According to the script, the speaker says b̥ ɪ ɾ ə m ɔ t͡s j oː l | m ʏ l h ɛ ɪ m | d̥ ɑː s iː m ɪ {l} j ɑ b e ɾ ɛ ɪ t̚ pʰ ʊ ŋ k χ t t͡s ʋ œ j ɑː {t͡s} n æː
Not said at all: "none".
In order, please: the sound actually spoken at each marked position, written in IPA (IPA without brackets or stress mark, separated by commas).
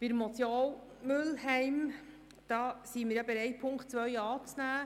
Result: ɾ, t͡s